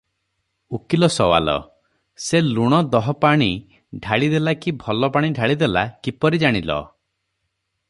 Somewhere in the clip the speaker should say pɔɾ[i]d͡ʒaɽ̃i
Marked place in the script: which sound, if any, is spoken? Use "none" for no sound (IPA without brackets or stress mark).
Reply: i